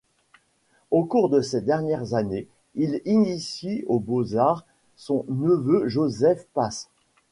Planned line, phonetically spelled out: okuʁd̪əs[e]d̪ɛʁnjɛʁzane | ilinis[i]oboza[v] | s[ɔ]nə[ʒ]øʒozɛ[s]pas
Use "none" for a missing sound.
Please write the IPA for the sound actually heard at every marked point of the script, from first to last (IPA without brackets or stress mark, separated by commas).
e, i, ʁ, ɔ̃, v, f